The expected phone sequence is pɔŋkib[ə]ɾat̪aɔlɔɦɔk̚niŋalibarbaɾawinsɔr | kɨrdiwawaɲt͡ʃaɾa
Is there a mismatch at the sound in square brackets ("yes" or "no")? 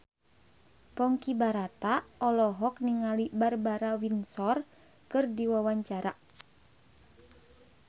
yes